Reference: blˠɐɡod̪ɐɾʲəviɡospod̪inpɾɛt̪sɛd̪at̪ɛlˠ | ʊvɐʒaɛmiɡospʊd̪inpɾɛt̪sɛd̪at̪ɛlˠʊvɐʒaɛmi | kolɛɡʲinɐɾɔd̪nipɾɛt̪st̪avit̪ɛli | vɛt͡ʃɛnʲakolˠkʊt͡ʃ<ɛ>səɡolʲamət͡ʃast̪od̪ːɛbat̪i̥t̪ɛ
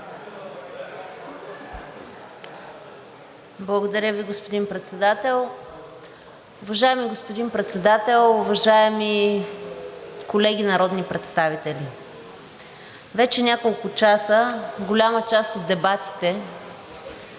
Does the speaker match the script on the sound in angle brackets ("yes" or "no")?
no